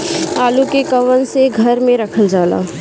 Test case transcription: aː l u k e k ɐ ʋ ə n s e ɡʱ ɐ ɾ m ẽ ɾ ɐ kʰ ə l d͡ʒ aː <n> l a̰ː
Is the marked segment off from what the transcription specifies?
yes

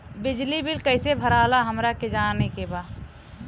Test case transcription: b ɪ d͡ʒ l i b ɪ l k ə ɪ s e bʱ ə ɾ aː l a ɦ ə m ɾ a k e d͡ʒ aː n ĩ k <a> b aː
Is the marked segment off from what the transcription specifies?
yes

